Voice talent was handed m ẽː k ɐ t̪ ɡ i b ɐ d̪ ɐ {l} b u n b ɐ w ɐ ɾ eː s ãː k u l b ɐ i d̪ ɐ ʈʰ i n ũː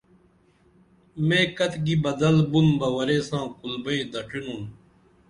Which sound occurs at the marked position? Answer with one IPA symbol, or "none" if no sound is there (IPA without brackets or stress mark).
l